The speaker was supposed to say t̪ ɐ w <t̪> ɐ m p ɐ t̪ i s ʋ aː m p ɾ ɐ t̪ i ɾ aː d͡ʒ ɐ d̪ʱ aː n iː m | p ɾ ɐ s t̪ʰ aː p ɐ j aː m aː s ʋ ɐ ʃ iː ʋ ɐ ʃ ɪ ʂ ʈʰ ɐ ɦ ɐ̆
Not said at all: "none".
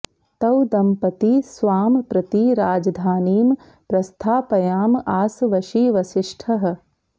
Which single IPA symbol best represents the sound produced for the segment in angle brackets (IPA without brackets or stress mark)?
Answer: d̪